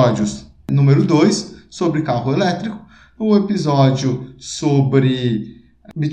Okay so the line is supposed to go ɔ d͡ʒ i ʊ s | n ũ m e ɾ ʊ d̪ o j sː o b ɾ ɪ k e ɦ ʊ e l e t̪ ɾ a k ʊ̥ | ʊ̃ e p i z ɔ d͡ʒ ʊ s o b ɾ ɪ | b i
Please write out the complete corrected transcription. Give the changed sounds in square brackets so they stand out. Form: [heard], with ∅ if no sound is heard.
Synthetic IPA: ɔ d͡ʒ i ʊ s | n ũ m e ɾ ʊ d̪ o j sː o b ɾ ɪ k [a] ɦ ʊ e l [ɛ] t̪ ɾ [i] k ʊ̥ | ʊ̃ e p i z ɔ d͡ʒ ʊ s o b ɾ ɪ | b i